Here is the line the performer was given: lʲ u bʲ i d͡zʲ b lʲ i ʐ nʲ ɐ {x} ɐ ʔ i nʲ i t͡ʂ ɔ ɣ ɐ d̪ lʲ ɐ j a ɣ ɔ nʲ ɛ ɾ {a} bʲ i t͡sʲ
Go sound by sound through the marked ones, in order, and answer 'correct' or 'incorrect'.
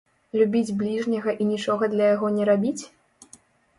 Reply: incorrect, correct

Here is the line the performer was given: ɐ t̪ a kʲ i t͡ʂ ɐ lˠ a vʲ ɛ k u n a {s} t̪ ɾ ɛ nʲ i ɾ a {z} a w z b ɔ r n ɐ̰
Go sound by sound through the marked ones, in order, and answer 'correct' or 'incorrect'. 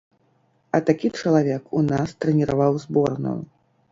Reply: correct, incorrect

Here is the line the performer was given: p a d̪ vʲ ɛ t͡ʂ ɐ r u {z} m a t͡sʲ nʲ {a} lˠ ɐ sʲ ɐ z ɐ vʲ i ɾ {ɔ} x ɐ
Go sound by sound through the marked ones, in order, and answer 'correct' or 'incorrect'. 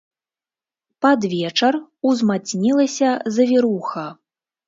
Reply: correct, incorrect, incorrect

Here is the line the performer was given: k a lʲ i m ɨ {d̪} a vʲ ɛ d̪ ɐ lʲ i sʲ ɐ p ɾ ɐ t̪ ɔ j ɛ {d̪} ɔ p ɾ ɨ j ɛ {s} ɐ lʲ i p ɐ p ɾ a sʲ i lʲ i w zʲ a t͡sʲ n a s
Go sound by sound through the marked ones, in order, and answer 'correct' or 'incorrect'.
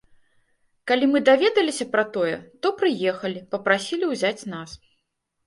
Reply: correct, incorrect, incorrect

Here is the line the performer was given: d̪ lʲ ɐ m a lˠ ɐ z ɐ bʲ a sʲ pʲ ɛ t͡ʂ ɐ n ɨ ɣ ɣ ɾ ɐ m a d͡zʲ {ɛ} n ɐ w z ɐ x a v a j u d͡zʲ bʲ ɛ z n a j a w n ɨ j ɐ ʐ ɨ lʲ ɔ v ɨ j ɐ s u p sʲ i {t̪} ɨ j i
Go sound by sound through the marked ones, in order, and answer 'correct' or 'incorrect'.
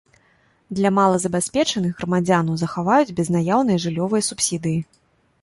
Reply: incorrect, incorrect

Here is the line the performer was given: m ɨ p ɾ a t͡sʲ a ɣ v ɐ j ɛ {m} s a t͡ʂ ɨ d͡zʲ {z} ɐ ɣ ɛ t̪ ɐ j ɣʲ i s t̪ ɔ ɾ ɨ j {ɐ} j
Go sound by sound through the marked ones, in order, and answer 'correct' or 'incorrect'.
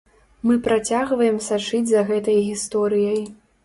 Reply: correct, correct, correct

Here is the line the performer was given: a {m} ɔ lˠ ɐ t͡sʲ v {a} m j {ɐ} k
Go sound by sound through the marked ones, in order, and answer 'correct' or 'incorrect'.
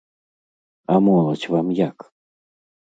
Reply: correct, correct, incorrect

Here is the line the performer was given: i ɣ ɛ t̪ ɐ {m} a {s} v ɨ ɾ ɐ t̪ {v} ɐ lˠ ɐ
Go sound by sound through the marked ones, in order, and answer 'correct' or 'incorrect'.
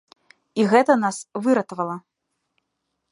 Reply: incorrect, correct, correct

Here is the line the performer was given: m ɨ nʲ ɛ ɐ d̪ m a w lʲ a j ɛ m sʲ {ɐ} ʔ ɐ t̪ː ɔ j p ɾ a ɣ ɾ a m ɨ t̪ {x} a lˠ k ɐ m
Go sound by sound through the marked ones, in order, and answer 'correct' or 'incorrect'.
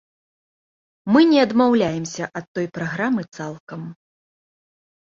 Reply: correct, incorrect

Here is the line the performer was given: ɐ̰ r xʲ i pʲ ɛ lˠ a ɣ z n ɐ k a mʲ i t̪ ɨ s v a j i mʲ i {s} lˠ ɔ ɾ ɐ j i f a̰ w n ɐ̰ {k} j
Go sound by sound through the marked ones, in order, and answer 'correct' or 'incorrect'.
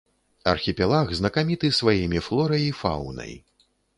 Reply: incorrect, incorrect

